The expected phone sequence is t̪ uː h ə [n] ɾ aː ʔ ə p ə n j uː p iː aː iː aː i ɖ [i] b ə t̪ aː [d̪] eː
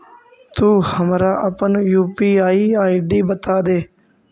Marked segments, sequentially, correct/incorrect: incorrect, incorrect, correct

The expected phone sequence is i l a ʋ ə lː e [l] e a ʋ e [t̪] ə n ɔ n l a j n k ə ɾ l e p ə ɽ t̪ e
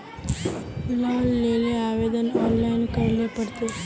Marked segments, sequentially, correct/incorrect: correct, incorrect

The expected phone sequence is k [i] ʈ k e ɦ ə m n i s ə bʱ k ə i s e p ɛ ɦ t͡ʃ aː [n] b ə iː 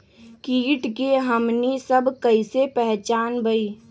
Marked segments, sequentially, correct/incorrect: incorrect, correct

